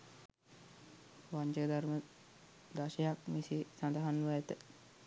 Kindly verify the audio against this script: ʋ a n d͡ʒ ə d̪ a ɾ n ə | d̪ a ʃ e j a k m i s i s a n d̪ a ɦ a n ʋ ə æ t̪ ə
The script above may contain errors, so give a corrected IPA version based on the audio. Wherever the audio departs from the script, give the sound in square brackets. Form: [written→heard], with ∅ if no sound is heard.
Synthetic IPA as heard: ʋ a [n→ɲ] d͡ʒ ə d̪ a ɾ [n→m] ə | d̪ a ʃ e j a k m i s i s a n d̪ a ɦ a n ʋ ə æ t̪ ə